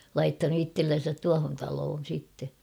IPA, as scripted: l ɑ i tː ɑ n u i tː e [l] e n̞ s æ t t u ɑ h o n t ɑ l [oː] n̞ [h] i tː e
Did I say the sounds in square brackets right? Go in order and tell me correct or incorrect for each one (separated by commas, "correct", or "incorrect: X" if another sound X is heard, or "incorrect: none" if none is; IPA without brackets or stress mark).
incorrect: lː, correct, incorrect: s